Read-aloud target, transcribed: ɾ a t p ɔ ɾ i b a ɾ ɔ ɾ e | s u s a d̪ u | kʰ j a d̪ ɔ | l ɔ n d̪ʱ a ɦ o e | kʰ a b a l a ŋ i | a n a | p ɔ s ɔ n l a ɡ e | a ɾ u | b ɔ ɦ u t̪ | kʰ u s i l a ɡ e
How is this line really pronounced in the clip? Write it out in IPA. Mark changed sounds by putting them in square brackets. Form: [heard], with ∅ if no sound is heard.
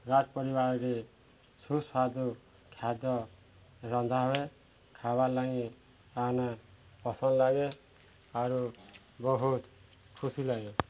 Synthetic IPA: ɾ a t p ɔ ɾ i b a ɾ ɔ ɾ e | s u s a d̪ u | kʰ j a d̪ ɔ | [ɾ] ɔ n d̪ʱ a ɦ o e | kʰ a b a l a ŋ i | a n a | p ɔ s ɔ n l a ɡ e | a ɾ u | b ɔ ɦ u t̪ | kʰ u s i l a ɡ e